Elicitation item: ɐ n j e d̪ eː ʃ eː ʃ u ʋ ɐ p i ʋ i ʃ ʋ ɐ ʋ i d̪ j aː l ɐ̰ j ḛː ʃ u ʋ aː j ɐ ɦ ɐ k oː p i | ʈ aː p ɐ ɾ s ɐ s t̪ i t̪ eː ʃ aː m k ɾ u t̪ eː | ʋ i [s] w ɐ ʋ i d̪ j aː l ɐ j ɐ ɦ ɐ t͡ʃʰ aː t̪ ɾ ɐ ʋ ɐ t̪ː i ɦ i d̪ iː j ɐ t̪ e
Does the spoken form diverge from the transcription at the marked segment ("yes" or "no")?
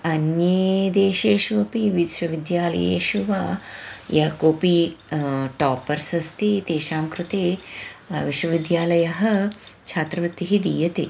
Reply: yes